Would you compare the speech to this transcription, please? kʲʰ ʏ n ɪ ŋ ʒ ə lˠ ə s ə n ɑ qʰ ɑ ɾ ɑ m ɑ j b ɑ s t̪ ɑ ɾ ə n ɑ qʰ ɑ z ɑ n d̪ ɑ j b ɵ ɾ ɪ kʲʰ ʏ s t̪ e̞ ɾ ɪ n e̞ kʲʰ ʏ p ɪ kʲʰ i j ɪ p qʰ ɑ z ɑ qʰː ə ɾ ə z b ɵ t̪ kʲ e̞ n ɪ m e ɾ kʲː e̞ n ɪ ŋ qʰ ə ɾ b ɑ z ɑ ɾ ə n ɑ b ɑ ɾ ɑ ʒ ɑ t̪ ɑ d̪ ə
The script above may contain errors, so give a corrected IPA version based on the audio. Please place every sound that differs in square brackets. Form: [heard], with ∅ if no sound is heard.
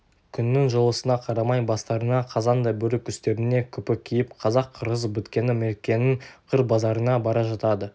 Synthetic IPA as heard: kʲʰ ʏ [nː] ɪ ŋ ʒ ə lˠ ə s ə n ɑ qʰ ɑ ɾ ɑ m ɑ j b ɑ s t̪ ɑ ɾ ə n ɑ qʰ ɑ z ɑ n d̪ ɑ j b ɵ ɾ ɪ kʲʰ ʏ s t̪ e̞ ɾ ɪ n e̞ kʲʰ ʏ p ɪ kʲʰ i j ɪ p qʰ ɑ z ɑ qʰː ə ɾ ə z b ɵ t̪ kʲ e̞ n ɪ m e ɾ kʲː e̞ n ɪ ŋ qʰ ə ɾ b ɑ z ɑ ɾ ə n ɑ b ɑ ɾ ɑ ʒ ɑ t̪ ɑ d̪ ə